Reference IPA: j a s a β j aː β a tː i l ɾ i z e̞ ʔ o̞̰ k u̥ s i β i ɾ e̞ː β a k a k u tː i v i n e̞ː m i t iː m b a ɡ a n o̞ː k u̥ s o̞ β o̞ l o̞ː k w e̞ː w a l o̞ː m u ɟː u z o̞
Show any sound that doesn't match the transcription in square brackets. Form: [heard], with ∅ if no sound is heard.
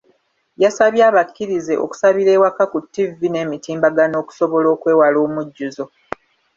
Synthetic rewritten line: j a s a β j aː β a [kː] i [∅] ɾ i z e̞ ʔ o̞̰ k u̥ s [a] β i ɾ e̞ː [w] a k a k u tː i v i n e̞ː m i t iː m b a ɡ a n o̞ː k u̥ s o̞ β o̞ l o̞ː k w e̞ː w a l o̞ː m u ɟː u z o̞